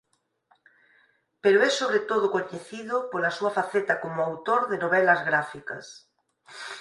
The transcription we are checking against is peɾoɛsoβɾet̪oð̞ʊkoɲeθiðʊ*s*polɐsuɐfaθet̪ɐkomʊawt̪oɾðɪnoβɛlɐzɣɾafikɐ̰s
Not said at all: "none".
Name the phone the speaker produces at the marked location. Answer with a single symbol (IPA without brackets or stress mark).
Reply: none